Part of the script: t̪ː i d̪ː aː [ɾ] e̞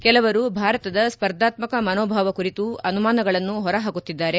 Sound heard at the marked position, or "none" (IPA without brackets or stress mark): ɾ